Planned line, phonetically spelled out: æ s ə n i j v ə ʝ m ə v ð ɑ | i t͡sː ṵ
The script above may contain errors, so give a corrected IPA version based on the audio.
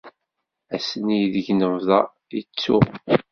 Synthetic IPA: æ s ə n i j ð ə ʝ n ə v ð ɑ | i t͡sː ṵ